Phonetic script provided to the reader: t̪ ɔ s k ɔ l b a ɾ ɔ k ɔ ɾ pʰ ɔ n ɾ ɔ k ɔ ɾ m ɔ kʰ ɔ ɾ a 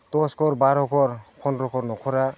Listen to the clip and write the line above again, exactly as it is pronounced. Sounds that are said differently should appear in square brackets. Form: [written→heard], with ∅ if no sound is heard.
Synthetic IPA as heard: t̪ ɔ s k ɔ [l→ɾ] b a ɾ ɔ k ɔ ɾ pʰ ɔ n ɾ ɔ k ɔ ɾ [m→n] ɔ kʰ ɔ ɾ a